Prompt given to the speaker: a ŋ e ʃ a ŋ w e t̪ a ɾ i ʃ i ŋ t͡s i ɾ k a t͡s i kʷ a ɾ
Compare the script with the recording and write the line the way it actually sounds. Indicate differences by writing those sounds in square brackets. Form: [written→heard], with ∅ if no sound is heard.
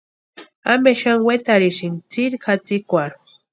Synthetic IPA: a [ŋ→m] e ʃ a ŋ w e t̪ a ɾ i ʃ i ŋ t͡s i ɾ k a t͡s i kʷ a ɾ